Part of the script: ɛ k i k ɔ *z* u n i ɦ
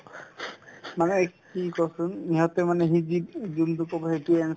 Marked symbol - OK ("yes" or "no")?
no